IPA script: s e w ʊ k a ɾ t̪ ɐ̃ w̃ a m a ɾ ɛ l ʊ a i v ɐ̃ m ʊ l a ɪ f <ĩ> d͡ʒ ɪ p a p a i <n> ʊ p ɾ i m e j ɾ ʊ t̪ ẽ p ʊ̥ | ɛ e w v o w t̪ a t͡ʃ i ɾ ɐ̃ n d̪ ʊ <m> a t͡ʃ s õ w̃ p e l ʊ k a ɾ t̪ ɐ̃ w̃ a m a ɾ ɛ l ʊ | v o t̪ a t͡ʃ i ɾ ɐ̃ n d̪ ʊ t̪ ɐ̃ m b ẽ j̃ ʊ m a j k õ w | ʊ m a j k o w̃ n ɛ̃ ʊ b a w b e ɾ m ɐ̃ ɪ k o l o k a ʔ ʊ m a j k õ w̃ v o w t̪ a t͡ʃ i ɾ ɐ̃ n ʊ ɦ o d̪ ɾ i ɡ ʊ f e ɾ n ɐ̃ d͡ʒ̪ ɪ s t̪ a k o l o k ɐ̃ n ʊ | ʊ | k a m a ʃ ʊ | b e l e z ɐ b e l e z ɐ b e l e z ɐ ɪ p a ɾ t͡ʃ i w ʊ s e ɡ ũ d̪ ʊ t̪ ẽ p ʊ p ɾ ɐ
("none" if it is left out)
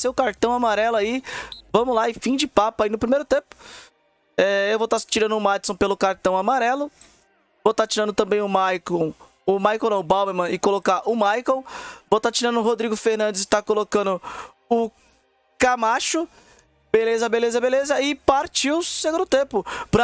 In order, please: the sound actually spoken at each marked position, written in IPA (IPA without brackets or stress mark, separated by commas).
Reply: ĩ, n, m